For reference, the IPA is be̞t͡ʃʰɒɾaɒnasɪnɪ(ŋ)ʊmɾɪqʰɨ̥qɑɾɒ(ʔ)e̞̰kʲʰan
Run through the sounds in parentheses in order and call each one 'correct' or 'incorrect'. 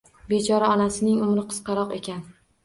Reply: correct, incorrect: q

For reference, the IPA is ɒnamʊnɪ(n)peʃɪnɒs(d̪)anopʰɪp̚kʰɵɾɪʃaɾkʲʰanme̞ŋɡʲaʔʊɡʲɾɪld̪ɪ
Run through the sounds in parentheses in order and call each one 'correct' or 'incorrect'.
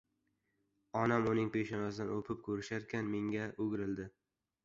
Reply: incorrect: ŋ, correct

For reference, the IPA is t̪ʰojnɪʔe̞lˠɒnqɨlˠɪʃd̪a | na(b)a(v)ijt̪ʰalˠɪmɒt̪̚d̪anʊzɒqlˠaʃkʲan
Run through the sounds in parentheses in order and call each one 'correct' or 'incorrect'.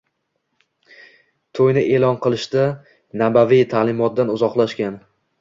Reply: correct, correct

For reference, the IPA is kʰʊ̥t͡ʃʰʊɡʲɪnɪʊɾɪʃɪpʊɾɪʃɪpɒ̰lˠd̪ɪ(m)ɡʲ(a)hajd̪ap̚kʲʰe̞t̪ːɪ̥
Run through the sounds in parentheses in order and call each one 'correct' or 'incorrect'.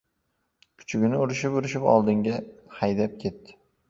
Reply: incorrect: ŋ, correct

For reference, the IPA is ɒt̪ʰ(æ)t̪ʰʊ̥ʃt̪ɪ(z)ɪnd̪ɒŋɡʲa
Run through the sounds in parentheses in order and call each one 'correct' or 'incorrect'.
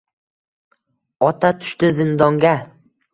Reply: incorrect: a, correct

